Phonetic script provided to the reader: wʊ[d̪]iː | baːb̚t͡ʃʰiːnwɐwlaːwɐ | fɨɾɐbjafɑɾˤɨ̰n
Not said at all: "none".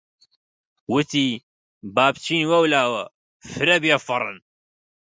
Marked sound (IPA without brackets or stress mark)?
t̪